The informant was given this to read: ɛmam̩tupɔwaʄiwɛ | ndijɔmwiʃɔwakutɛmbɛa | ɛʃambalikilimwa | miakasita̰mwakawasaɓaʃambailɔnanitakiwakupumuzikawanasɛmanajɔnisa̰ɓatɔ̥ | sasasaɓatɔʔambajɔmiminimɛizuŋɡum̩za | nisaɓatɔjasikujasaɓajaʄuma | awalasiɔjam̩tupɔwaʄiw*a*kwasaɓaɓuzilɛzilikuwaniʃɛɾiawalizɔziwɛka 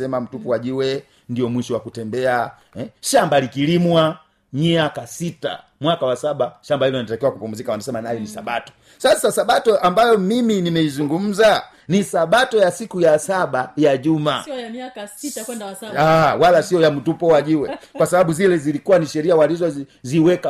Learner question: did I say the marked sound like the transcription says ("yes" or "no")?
no